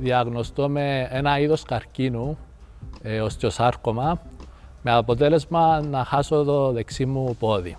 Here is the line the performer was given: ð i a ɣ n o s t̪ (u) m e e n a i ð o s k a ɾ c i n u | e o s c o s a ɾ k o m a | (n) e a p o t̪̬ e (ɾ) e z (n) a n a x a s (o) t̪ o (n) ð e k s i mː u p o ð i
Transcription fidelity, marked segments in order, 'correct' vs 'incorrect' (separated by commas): incorrect, incorrect, incorrect, incorrect, correct, incorrect